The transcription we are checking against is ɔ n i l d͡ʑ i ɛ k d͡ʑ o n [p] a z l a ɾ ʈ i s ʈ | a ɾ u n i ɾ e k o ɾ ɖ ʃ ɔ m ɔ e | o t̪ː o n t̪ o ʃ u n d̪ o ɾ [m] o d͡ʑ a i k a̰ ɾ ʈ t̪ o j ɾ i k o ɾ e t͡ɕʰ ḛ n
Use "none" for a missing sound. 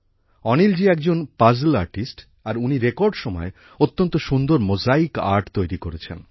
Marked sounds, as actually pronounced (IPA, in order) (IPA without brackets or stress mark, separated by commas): p, m